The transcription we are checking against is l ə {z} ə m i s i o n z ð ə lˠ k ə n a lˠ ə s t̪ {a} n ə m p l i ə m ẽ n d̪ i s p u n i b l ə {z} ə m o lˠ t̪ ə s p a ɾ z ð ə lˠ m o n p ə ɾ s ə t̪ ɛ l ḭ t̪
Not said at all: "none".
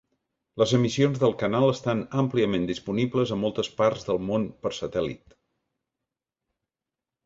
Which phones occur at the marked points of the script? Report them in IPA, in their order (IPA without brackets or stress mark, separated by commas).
z, a, z